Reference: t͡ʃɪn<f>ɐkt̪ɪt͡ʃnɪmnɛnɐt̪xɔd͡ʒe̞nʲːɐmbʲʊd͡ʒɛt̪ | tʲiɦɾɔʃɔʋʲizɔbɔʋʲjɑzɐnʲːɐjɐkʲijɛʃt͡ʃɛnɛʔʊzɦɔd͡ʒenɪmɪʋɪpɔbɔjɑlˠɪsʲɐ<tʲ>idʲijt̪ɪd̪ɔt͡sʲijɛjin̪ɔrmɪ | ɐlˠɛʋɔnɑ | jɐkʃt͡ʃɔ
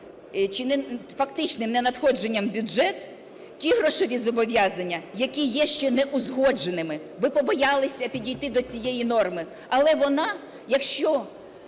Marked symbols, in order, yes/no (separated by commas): yes, no